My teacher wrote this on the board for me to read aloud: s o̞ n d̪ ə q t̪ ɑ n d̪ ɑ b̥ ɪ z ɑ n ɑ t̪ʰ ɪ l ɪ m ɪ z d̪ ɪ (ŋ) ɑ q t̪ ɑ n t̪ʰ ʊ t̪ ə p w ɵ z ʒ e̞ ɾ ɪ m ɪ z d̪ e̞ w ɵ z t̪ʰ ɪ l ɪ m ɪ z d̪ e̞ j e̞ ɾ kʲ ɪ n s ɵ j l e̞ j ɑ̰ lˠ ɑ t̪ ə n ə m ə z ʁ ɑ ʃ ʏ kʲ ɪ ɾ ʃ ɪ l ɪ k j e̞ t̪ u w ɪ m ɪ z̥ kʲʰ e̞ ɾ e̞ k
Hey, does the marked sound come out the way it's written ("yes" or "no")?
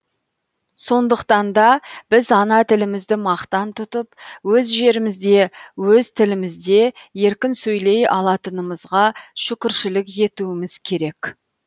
no